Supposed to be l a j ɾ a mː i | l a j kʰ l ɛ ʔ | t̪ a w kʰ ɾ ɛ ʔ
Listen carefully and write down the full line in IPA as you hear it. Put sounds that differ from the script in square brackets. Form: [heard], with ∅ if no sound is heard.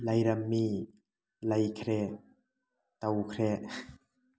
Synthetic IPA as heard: l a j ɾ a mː i | l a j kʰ [ɾ] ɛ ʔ | t̪ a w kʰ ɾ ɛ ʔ